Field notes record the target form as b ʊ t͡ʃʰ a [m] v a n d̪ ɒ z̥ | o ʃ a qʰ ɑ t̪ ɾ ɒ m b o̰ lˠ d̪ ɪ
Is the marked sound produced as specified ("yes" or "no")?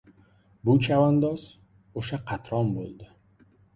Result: no